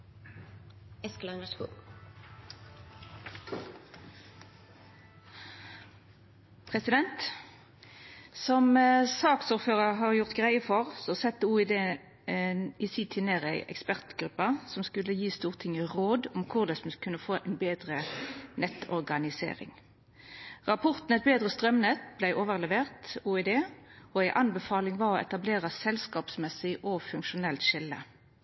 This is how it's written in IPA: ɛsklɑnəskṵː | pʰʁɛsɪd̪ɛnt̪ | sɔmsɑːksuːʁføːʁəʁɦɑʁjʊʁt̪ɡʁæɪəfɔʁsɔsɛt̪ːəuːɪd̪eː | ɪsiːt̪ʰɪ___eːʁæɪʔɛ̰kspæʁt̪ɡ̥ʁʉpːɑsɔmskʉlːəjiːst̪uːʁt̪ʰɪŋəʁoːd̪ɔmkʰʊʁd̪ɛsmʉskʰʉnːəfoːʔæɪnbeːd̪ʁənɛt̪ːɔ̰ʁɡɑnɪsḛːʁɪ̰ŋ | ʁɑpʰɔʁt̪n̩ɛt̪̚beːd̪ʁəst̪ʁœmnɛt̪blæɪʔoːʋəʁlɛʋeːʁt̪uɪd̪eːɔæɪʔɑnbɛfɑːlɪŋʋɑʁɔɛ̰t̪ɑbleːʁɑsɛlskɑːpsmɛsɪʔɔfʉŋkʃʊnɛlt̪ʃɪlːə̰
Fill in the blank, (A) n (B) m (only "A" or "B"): A